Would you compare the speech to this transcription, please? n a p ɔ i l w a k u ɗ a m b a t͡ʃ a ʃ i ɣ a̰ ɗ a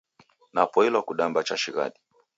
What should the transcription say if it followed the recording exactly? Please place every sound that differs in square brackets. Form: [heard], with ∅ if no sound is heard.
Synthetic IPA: n a p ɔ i l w a k u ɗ a m b a t͡ʃ a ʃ i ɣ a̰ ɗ [i]